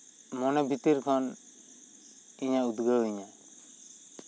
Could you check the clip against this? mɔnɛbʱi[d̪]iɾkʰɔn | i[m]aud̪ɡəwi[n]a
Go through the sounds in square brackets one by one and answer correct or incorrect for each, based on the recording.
incorrect: t̪, incorrect: ɲ, incorrect: ɲ

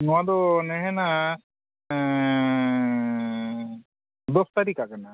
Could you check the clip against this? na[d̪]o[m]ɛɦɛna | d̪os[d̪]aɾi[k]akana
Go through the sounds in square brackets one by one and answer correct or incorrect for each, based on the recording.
correct, incorrect: n, incorrect: t̪, correct

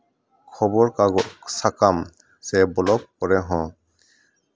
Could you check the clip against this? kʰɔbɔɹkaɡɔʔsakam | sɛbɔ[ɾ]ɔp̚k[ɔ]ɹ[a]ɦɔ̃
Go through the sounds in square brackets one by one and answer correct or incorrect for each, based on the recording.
incorrect: l, correct, incorrect: ɛ

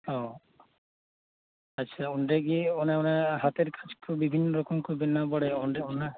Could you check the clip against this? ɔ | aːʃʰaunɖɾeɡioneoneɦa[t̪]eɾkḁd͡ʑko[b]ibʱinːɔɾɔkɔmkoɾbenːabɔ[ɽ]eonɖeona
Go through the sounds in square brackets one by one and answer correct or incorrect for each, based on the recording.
correct, correct, correct

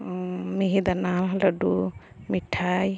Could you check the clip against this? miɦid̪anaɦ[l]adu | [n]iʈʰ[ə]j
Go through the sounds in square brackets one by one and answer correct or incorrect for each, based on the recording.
correct, incorrect: m, incorrect: a

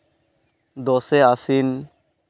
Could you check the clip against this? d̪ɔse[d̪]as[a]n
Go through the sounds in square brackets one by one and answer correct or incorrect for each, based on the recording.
incorrect: none, incorrect: i

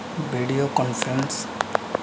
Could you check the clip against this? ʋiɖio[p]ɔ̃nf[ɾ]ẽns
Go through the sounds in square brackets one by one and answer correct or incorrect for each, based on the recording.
incorrect: k, correct

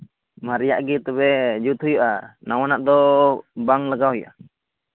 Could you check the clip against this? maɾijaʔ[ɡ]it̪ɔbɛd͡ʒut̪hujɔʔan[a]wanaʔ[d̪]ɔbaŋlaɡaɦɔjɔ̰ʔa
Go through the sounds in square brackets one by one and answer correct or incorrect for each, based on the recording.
correct, correct, correct

